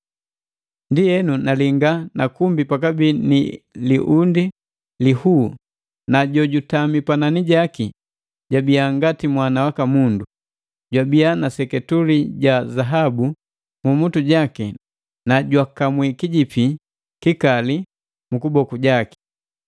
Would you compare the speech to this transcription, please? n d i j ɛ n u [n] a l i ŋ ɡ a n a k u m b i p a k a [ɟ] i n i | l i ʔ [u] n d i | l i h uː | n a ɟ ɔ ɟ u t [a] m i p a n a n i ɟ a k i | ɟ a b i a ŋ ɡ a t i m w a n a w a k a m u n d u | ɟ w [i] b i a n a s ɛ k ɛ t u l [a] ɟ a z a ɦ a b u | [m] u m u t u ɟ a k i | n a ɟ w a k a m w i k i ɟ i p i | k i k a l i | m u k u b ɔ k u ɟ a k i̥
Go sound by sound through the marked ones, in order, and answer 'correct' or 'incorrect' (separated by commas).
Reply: correct, incorrect, correct, correct, incorrect, incorrect, correct